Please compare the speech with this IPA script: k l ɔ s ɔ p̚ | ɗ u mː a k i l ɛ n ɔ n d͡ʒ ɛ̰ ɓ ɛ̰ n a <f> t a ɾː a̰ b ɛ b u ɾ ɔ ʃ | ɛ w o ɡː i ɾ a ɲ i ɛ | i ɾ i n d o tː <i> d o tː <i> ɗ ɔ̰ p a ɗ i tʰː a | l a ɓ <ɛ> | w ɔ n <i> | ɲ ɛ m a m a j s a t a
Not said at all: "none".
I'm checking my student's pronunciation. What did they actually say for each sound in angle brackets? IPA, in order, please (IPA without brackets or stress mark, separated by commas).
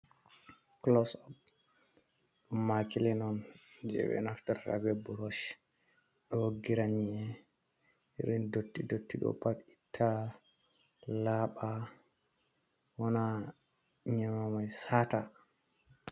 f, i, i, a, a